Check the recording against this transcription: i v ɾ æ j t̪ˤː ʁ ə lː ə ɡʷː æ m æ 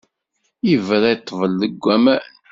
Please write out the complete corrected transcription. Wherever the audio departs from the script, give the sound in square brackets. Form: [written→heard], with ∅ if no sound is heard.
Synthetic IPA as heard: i v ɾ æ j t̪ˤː [ʁ→v] ə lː ə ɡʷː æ m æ